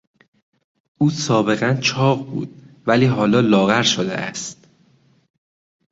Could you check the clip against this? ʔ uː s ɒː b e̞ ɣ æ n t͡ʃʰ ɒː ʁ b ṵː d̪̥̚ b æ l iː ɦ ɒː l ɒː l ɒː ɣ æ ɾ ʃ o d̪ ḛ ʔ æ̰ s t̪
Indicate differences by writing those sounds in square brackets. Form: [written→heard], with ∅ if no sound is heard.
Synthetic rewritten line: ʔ uː s ɒː b e̞ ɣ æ n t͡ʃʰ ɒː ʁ b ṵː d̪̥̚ [b→v] æ l iː ɦ ɒː l ɒː l ɒː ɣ æ ɾ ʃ o d̪ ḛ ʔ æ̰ s t̪